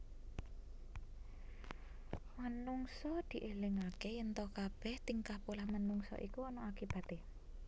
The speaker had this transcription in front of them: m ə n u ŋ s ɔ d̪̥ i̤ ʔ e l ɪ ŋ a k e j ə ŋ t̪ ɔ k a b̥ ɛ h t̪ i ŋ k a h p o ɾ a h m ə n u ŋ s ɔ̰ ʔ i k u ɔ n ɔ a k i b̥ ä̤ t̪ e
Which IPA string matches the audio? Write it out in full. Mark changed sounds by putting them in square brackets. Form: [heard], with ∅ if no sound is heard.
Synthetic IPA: m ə n u ŋ s ɔ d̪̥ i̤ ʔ e l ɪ ŋ a k e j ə [n] t̪ ɔ k a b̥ ɛ h t̪ i ŋ k a h p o [l] a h m ə n u ŋ s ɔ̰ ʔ i k u ɔ n ɔ a k i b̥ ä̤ t̪ e

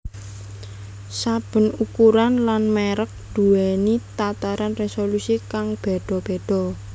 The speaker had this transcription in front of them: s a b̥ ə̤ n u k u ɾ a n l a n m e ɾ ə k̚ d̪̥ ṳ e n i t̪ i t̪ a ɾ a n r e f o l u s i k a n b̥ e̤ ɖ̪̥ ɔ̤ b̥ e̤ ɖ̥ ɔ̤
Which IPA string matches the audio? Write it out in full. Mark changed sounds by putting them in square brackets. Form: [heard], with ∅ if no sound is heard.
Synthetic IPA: s a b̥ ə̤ n u k u ɾ a n l a n m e ɾ ə k̚ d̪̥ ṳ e n i t̪ [a] t̪ a ɾ a n r e [s] o l u s i k a [ŋ] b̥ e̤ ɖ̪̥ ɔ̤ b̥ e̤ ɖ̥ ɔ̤

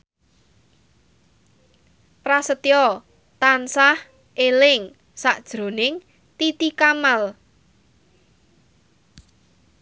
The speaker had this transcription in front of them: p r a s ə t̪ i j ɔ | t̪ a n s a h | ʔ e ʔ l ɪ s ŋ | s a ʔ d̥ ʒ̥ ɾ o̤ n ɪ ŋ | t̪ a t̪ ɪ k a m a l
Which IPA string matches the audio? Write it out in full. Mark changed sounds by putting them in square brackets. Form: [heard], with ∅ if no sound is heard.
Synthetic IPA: p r a s ə t̪ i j ɔ | t̪ a n s a h | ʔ e [∅] l ɪ [∅] ŋ | s a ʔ d̥ ʒ̥ ɾ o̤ n ɪ ŋ | t̪ [i] t̪ [i] k a m a l

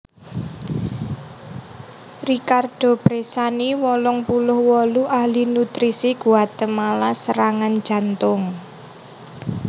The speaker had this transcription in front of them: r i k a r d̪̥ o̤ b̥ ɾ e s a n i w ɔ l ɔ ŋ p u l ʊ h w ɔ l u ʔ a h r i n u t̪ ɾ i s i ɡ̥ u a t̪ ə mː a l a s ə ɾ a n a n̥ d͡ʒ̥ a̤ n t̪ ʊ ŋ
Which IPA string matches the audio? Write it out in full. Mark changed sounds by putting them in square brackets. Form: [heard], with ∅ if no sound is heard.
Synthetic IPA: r i k a r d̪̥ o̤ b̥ ɾ e s a n i w ɔ l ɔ ŋ p u l ʊ h w ɔ l u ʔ a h [l] i n u t̪ ɾ i s i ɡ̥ u a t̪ ə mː a l a s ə ɾ a [ŋ] a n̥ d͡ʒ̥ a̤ n t̪ ʊ ŋ

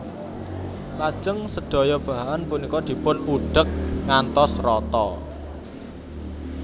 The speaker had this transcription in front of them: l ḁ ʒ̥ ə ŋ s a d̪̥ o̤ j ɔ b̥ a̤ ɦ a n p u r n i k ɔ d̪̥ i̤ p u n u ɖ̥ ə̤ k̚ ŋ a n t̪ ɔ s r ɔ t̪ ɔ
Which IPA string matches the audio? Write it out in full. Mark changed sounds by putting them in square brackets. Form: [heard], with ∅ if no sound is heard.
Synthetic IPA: l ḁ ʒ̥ ə ŋ s [ə] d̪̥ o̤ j ɔ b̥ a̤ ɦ a n p u [∅] n i k ɔ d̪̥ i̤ p [ʊ] n u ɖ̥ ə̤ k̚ ŋ a n t̪ ɔ s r ɔ t̪ ɔ

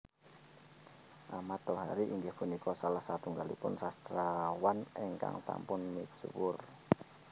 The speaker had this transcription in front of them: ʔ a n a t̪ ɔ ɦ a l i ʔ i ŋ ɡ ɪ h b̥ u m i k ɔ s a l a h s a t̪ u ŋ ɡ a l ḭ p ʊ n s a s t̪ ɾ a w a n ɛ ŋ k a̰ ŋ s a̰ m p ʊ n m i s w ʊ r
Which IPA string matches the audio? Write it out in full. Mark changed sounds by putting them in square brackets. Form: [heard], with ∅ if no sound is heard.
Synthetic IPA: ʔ a [m] a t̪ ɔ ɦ a [ɾ] i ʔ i ŋ ɡ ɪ h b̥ u [n] i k ɔ s a l a h s a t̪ u ŋ ɡ a l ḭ p ʊ n s a s t̪ ɾ a w a n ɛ ŋ k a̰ ŋ s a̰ m p ʊ n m i s w ʊ r

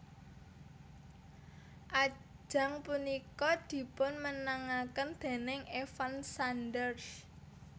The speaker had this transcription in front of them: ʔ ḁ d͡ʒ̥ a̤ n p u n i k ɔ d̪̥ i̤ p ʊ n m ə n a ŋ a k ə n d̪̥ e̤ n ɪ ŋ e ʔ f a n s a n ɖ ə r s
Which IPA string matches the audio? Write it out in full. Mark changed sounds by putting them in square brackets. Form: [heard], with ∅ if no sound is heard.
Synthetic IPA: ʔ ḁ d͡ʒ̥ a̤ [ŋ] p u n i k ɔ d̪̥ i̤ p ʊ n m ə n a ŋ a k ə n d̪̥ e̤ n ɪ ŋ e [∅] f a n s a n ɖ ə r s

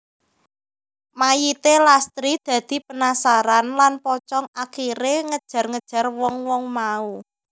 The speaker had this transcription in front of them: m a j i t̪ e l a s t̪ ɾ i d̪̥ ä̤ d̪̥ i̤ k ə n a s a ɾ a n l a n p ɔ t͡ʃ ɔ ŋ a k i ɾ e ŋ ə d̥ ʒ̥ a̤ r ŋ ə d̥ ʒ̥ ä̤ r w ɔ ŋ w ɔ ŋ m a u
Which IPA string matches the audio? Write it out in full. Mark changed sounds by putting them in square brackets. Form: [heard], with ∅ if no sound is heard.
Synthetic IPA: m a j i t̪ e l a s t̪ ɾ i d̪̥ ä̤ d̪̥ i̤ [p] ə n a s a ɾ a n l a n p ɔ t͡ʃ ɔ ŋ a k i ɾ e ŋ ə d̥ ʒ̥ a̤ r ŋ ə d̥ ʒ̥ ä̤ r w ɔ ŋ w ɔ ŋ m a u

